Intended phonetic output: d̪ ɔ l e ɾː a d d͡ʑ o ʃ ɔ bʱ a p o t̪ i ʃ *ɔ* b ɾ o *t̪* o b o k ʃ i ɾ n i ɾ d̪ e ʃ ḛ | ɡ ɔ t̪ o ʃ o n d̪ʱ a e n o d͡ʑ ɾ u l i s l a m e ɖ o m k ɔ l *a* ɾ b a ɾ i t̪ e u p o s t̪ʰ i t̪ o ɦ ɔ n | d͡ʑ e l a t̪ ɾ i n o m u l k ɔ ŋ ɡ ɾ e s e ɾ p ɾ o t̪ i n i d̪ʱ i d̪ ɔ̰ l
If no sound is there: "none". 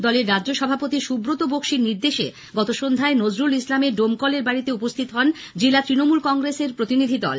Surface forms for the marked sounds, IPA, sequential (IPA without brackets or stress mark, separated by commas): u, t̪, e